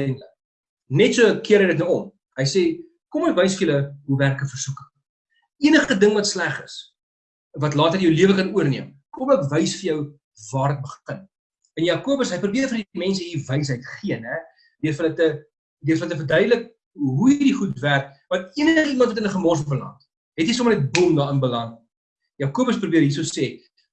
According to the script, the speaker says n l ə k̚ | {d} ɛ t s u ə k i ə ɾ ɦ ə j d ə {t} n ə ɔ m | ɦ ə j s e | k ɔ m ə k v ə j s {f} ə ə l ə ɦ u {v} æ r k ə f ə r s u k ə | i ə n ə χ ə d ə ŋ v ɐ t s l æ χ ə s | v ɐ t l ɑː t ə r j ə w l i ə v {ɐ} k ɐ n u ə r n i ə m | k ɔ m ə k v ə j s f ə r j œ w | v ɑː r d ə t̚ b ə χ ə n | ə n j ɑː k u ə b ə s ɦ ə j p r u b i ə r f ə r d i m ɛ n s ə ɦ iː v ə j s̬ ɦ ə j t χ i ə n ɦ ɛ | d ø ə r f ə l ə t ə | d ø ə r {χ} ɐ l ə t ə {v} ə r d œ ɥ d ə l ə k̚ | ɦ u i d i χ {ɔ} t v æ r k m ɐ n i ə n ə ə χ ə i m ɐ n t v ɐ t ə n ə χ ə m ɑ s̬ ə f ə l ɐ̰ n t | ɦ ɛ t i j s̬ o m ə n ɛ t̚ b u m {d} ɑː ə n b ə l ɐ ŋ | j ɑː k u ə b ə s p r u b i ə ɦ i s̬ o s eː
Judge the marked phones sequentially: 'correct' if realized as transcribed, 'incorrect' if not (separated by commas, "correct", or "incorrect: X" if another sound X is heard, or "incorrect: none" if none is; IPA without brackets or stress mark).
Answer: incorrect: n, correct, correct, correct, incorrect: ə, incorrect: f, incorrect: f, incorrect: u, correct